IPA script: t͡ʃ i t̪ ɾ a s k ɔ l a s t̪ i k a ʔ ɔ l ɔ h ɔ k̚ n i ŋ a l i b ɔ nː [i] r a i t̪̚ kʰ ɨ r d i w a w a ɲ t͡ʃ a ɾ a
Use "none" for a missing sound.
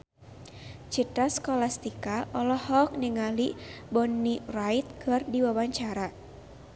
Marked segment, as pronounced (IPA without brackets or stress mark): i